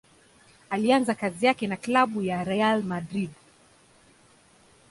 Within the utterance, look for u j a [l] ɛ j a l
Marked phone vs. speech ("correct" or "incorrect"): incorrect